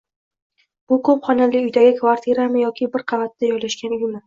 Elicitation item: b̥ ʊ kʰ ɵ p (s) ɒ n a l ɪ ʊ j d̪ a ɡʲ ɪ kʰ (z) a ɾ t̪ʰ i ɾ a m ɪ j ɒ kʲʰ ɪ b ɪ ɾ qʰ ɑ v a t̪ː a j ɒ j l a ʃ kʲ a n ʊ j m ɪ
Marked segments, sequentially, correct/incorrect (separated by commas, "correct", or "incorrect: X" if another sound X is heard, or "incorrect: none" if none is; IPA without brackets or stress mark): incorrect: χ, incorrect: v